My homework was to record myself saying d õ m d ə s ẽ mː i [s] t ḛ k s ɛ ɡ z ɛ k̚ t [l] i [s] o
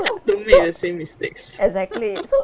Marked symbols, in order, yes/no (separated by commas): yes, yes, yes